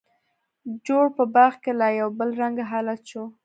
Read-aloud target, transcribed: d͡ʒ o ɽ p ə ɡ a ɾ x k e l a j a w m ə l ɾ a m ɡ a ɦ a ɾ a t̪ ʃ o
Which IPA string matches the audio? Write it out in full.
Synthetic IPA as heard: d͡ʒ o ɽ p ə b a ɾ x k e l a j a w b ə l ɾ a ŋ ɡ a ɦ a l a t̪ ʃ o